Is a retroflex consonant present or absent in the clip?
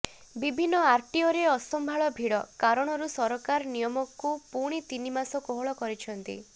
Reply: present